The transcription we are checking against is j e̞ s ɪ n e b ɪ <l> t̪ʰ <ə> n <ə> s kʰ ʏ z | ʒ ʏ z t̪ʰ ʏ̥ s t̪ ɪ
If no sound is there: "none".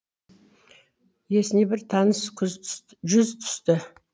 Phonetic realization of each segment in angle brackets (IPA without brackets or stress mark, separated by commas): ɾ, ɑ, ə